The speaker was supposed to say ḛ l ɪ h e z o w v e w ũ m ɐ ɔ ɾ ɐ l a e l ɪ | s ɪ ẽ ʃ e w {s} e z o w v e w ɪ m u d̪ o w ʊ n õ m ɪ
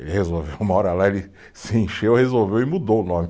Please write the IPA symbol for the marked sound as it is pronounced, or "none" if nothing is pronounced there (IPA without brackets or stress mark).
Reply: h